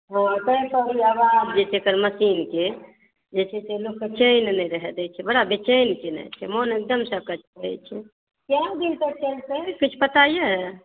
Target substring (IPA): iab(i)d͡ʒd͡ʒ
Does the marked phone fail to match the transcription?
yes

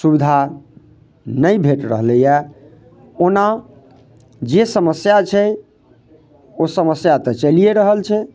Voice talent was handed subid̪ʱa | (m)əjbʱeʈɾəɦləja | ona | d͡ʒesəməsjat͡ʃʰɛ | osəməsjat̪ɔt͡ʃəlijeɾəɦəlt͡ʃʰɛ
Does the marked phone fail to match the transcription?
yes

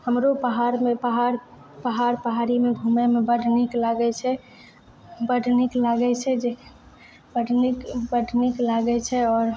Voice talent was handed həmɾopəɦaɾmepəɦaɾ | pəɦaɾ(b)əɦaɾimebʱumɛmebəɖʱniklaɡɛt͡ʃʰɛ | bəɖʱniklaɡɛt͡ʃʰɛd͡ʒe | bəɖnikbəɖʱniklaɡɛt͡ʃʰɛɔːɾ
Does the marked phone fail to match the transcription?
yes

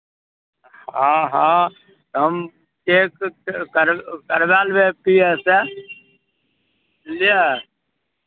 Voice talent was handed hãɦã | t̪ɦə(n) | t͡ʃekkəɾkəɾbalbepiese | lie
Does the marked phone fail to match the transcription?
yes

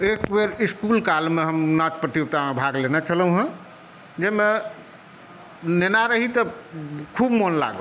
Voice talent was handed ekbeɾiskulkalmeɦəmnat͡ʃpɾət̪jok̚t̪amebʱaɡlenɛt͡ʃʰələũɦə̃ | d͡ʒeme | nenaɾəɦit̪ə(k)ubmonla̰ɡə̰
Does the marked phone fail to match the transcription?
yes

